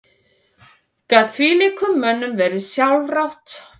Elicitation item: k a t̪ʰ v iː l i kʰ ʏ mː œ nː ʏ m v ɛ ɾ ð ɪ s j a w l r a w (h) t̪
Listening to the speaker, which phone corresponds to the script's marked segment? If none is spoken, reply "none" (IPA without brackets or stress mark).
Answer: h